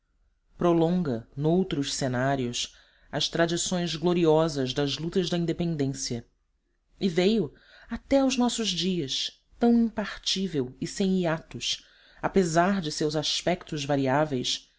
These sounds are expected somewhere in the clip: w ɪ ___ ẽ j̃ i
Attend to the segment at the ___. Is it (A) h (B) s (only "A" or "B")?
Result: B